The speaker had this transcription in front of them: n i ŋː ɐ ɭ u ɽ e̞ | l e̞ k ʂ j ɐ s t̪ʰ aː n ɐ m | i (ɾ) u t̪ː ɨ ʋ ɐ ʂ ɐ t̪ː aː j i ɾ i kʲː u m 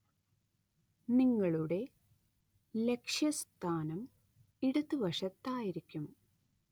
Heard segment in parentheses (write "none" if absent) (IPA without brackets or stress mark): ɽ